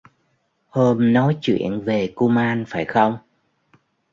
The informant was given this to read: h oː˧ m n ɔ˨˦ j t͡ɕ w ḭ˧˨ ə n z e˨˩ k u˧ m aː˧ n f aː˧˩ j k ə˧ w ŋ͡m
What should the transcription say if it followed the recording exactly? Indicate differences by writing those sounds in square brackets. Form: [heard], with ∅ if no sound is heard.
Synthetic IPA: h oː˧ m n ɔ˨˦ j t͡ɕ w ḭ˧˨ ə n [v] e˨˩ k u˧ m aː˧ n f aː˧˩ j [x] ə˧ w ŋ͡m